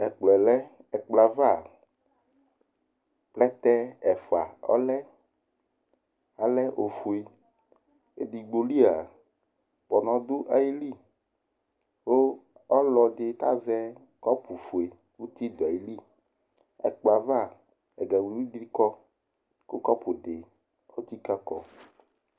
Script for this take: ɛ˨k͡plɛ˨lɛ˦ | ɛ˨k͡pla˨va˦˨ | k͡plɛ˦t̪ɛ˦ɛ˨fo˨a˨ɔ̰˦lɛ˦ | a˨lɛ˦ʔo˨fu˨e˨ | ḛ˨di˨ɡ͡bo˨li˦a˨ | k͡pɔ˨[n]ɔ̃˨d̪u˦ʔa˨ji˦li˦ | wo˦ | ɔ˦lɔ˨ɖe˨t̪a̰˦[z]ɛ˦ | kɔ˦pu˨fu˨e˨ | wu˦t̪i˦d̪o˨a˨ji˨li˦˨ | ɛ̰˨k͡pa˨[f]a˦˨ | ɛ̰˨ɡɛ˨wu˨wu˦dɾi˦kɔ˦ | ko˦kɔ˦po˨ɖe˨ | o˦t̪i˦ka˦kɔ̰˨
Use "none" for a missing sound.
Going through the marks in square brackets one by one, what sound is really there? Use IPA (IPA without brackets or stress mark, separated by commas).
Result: n, z, v